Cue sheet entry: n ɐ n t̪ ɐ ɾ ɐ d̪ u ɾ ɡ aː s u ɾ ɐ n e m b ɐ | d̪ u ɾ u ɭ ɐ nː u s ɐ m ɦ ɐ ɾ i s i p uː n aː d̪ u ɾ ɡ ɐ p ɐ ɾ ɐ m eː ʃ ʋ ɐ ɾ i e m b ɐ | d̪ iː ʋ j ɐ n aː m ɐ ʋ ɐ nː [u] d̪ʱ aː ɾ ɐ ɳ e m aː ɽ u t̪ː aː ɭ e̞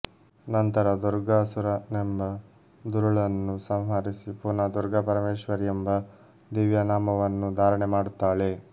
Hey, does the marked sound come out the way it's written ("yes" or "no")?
yes